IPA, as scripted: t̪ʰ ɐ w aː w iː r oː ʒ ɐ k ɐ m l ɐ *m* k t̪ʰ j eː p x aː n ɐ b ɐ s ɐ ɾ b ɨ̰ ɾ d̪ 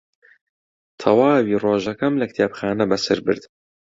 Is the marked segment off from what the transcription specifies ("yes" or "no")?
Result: yes